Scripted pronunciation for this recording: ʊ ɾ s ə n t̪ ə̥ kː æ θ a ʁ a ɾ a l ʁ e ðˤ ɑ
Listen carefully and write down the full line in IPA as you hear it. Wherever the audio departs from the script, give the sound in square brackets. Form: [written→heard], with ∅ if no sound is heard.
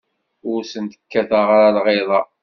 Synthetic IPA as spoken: ʊ ɾ s ə n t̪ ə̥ kː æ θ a ʁ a ɾ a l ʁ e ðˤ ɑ